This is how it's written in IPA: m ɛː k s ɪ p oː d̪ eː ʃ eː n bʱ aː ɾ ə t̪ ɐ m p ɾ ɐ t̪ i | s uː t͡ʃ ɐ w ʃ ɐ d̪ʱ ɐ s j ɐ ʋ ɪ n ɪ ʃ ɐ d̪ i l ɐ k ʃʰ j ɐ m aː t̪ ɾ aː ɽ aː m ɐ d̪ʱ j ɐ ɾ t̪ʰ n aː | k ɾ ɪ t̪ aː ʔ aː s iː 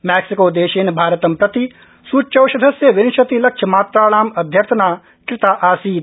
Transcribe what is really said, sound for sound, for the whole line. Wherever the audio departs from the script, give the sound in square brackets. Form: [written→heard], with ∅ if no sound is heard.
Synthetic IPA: m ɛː k s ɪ [p→k] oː d̪ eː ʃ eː n bʱ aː ɾ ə t̪ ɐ m p ɾ ɐ t̪ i | s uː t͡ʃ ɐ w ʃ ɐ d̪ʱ ɐ s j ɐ ʋ ɪ n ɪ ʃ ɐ [d̪→t̪] i l ɐ k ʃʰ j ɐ m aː t̪ ɾ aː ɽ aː m ɐ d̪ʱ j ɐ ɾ t̪ʰ n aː | k ɾ ɪ t̪ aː ʔ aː s iː